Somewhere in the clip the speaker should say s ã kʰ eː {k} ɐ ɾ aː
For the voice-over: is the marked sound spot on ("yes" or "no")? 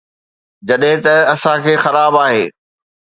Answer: no